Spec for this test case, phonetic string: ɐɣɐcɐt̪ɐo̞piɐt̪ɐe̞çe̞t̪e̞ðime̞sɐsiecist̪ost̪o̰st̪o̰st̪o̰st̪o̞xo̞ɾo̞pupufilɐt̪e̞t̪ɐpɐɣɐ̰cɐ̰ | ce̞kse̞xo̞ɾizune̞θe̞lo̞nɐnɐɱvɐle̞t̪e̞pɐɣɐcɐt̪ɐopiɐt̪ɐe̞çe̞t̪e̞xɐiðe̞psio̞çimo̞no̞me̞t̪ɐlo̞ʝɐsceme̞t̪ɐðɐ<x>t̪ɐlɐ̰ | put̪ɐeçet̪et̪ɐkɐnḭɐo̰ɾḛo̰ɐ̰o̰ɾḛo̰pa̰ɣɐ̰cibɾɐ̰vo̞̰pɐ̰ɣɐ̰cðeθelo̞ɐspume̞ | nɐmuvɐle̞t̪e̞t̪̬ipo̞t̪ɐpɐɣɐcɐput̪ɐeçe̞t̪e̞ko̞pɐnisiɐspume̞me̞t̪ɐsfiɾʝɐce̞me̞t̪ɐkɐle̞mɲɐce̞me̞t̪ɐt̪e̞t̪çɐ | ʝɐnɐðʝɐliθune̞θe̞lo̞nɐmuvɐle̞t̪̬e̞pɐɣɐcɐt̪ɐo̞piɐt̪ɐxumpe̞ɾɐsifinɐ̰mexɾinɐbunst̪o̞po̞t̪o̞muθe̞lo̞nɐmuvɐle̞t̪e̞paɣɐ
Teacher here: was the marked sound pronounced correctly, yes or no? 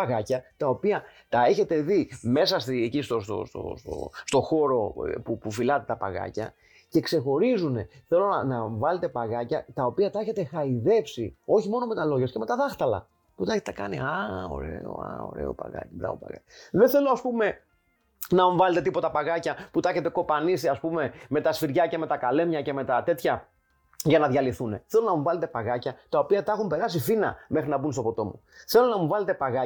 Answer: yes